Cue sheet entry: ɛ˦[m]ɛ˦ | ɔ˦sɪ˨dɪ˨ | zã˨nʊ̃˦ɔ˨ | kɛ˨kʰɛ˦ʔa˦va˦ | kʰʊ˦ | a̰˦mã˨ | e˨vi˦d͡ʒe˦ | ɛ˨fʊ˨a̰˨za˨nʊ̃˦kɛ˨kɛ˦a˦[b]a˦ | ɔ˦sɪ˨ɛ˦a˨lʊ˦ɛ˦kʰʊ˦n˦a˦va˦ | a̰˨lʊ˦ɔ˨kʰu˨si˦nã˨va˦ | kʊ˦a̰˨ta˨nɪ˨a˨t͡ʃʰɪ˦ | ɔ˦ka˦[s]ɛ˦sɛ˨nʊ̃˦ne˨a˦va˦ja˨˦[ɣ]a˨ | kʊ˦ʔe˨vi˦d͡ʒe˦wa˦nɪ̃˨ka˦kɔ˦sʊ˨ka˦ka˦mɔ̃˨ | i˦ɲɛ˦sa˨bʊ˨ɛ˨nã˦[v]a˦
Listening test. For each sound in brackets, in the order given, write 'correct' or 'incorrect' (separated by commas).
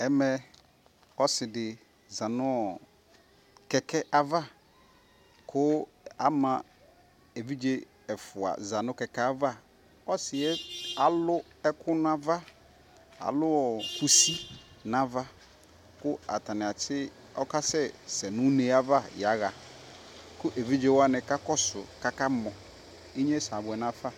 correct, incorrect, correct, correct, incorrect